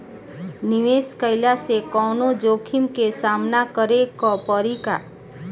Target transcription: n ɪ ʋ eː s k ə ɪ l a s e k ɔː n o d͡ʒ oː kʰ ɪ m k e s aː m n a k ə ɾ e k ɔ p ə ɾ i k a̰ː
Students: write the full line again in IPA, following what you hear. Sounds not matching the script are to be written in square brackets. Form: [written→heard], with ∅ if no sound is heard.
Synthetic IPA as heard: n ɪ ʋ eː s k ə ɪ l a s e k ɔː n o d͡ʒ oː kʰ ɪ m k e s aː m n a k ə ɾ e k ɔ p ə ɾ i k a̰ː